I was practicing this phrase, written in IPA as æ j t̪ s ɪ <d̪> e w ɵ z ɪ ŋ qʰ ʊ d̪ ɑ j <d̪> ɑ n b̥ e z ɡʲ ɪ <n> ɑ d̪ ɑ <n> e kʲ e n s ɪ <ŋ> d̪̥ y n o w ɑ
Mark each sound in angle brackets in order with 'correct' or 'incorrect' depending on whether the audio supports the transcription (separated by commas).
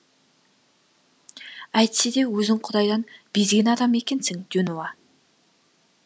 correct, correct, correct, incorrect, correct